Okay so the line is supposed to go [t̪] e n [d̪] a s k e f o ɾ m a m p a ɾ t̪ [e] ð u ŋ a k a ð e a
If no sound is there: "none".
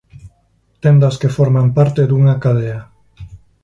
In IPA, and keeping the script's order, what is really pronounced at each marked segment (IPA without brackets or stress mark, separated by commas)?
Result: t̪, d̪, e